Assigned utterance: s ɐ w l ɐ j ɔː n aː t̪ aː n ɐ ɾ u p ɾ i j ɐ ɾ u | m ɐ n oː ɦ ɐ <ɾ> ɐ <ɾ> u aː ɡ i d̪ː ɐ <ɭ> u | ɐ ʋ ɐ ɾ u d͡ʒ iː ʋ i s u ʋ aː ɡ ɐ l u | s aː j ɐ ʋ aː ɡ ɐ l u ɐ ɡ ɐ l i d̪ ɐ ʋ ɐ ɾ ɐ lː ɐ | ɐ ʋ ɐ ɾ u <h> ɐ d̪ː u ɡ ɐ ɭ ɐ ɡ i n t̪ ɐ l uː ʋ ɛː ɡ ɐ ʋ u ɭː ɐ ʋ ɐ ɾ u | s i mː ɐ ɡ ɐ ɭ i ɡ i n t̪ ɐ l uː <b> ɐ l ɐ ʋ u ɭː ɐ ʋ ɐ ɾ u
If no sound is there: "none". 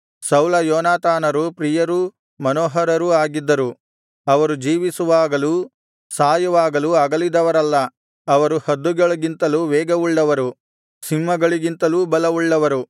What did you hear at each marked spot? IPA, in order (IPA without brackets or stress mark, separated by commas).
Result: ɾ, ɾ, ɾ, h, b